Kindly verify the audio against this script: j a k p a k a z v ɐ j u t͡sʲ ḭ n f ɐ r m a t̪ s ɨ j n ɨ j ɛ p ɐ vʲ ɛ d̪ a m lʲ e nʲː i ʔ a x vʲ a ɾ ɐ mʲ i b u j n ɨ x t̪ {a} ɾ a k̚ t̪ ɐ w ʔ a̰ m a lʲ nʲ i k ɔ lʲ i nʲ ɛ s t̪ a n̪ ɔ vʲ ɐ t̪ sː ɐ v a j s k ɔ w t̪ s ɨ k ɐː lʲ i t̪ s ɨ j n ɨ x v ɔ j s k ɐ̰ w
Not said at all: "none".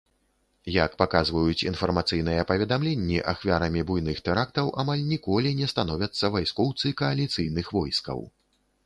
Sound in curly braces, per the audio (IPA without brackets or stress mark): ɛ